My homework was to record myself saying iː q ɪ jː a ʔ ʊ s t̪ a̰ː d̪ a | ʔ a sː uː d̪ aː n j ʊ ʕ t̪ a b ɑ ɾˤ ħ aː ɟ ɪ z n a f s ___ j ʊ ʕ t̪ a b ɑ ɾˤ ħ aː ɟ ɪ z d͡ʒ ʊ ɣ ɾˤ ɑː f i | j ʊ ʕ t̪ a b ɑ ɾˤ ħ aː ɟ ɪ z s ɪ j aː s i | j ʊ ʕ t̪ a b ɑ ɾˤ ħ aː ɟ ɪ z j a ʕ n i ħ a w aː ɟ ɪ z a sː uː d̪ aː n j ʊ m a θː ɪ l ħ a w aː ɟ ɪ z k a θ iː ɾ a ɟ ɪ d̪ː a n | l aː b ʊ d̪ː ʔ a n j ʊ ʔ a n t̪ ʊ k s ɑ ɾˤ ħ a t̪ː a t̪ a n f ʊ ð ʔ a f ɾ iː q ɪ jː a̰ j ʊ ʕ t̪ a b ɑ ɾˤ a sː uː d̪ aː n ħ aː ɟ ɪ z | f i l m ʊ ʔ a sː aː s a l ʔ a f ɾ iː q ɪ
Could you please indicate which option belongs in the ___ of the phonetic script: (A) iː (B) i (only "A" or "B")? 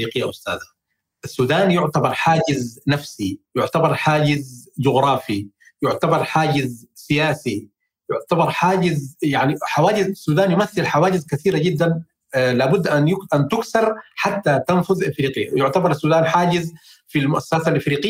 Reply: B